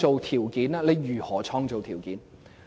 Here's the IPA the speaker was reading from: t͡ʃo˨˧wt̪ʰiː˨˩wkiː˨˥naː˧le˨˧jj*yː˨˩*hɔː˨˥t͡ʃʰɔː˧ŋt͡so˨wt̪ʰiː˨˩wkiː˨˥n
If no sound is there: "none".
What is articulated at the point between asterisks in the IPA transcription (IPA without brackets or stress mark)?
yː˨˩